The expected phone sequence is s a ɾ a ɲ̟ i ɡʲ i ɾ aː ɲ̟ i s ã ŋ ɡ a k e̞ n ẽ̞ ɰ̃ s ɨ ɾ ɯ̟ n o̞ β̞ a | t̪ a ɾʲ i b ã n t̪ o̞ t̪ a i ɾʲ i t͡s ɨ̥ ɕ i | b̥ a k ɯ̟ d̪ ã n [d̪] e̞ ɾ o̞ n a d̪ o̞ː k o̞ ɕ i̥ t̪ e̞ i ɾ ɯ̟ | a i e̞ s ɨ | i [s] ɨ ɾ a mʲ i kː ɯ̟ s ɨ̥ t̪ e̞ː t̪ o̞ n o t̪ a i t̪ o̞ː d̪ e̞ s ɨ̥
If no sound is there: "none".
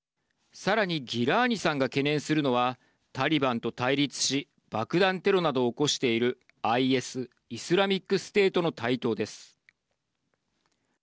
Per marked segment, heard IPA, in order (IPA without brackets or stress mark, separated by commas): t̪, s